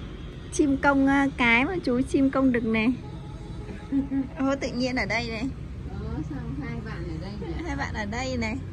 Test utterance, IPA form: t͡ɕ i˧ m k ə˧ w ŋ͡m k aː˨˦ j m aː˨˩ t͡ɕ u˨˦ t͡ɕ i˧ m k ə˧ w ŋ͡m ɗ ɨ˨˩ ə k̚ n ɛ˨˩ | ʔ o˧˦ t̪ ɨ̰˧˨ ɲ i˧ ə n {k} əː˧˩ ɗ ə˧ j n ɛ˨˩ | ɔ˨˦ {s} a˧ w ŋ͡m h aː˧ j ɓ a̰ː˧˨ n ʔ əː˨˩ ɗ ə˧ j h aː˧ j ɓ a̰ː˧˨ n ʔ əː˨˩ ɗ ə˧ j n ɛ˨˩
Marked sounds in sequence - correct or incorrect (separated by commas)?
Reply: incorrect, correct